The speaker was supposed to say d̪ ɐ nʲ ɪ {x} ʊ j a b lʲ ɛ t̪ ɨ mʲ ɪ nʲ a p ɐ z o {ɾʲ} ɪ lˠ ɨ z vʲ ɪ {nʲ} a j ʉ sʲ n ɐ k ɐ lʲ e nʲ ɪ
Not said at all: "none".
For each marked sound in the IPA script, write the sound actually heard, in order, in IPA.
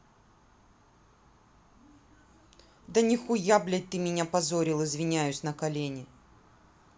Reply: x, ɾʲ, nʲ

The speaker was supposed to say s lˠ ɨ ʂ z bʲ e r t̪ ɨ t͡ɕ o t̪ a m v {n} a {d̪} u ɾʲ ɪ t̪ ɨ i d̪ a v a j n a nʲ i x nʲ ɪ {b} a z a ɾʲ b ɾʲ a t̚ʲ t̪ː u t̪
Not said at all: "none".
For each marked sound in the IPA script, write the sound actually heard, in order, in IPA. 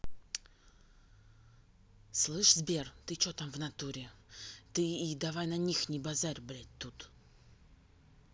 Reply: n, t̪, b

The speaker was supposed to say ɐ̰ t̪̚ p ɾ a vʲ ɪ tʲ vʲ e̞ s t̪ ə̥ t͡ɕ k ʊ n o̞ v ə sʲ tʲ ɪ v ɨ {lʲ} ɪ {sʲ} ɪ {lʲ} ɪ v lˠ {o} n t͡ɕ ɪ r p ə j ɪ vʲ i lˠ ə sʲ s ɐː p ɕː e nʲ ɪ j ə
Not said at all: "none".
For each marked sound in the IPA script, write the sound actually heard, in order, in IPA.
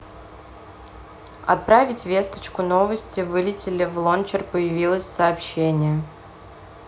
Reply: lʲ, tʲ, lʲ, o

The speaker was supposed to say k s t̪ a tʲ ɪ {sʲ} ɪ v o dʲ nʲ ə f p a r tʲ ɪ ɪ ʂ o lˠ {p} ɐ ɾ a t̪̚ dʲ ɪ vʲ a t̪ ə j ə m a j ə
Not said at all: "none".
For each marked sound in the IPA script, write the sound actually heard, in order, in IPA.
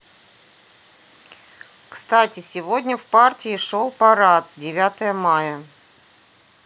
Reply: sʲ, p

